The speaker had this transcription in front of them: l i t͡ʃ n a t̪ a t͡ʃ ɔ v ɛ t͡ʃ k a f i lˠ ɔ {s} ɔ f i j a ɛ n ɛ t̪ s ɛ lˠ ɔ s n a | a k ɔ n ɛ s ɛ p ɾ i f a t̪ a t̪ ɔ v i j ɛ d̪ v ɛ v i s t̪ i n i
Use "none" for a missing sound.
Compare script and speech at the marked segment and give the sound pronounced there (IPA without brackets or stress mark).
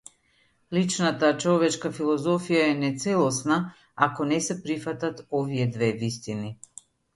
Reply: z